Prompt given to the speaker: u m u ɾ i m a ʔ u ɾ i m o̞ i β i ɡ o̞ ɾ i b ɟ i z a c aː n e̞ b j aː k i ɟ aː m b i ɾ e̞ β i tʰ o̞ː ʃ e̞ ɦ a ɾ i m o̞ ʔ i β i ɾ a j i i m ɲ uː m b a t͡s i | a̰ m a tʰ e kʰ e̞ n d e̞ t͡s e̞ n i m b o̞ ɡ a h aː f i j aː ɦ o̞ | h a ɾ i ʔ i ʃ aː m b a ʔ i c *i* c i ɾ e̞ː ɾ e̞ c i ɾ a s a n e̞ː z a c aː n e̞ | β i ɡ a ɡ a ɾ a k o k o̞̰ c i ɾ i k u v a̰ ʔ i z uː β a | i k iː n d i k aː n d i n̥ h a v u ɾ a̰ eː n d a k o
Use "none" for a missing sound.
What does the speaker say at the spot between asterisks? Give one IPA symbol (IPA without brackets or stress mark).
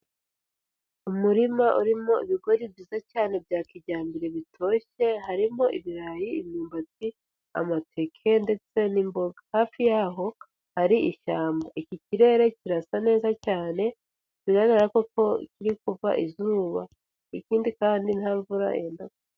i